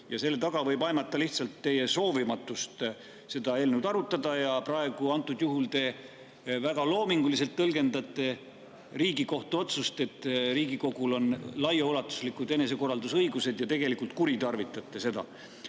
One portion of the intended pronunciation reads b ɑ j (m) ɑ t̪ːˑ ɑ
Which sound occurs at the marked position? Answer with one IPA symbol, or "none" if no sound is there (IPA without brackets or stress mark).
m